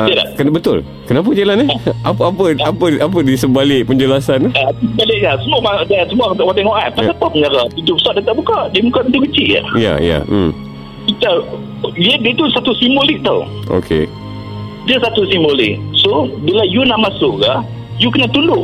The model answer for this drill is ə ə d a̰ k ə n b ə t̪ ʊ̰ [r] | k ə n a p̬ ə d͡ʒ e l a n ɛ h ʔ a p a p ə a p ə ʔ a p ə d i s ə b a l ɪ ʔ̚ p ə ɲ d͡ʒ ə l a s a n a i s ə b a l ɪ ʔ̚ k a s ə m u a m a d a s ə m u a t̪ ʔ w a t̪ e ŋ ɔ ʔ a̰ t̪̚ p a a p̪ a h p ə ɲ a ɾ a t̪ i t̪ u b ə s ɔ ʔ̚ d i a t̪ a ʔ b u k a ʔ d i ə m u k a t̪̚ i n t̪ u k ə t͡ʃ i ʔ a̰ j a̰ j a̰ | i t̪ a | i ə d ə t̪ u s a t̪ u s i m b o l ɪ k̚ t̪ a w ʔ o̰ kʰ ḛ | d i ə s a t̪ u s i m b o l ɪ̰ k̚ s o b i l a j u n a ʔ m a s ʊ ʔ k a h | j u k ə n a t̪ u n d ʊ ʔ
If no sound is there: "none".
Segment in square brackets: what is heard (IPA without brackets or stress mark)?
l